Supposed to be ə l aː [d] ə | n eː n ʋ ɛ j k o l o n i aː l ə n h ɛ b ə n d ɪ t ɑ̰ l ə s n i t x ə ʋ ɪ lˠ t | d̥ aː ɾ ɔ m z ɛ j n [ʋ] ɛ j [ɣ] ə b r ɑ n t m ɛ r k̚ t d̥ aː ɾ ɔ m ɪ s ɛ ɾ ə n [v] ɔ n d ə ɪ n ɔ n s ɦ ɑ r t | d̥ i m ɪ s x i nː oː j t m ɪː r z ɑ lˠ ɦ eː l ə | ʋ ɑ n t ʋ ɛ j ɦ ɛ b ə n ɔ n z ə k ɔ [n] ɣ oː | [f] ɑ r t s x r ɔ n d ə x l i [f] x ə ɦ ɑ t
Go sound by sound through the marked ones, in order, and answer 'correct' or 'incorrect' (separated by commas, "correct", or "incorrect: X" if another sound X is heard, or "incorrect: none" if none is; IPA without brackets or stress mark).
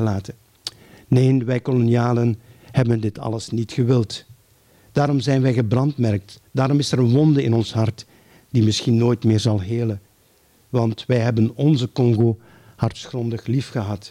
incorrect: t, correct, correct, incorrect: ʋ, incorrect: ŋ, incorrect: h, correct